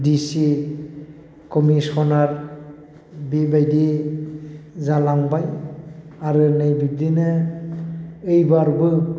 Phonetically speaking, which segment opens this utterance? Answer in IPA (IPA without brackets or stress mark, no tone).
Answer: d